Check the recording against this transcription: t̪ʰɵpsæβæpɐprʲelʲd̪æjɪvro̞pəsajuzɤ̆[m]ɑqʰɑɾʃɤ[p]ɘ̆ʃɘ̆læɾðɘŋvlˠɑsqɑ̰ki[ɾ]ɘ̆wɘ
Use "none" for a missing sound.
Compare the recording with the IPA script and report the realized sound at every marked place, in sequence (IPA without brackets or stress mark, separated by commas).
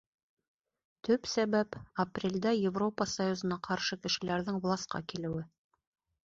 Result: n, k, l